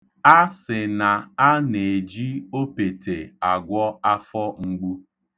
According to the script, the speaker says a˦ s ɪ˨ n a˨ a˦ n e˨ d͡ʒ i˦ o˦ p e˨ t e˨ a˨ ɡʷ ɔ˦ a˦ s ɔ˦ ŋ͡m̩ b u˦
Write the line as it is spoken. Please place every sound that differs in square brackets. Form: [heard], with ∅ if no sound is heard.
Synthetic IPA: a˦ s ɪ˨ n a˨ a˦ n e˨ d͡ʒ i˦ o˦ p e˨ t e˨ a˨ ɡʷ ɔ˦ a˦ [f] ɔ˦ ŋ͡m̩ [ɡ͡b] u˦